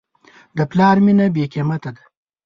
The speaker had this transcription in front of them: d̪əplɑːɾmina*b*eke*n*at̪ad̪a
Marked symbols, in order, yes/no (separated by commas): yes, no